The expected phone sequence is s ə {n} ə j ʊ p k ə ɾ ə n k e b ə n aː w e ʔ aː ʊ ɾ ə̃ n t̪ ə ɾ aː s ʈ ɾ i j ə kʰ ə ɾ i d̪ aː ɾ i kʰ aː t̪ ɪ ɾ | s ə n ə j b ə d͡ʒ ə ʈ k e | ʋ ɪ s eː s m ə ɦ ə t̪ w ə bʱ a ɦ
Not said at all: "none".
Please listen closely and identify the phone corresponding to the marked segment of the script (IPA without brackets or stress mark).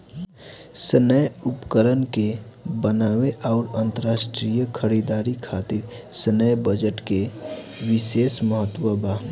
n